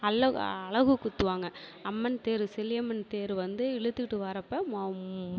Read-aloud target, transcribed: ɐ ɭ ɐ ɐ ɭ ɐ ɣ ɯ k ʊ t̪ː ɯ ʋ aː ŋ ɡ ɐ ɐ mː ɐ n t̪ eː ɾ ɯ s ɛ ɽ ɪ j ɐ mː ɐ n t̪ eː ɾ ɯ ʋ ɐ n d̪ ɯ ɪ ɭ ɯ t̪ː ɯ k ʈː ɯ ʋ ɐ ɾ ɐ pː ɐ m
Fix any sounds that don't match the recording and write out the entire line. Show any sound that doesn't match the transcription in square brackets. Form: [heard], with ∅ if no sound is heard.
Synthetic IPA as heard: ɐ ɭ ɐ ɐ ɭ ɐ ɣ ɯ k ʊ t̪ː ɯ ʋ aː ŋ ɡ ɐ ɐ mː ɐ n t̪ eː ɾ ɯ s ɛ [l] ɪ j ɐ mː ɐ n t̪ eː ɾ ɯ ʋ ɐ n d̪ ɯ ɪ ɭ ɯ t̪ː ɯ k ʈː ɯ ʋ ɐ ɾ ɐ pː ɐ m